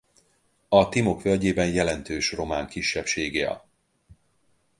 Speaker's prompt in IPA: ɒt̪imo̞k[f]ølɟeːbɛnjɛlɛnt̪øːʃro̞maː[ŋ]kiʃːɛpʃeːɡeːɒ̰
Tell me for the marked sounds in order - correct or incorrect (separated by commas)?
correct, correct